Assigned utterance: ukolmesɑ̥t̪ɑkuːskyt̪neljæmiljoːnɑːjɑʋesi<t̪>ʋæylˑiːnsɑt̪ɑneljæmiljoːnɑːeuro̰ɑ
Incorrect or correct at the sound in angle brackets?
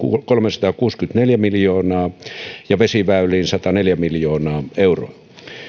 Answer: incorrect: none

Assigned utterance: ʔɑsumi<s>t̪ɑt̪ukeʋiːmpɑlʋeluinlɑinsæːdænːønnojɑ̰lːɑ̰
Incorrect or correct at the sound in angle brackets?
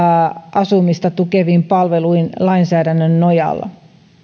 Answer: correct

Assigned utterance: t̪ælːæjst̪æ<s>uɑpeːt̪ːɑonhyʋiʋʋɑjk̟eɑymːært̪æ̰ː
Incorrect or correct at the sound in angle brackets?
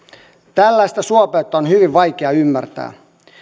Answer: correct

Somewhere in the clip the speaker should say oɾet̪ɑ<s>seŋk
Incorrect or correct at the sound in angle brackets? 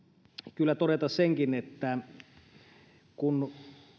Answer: correct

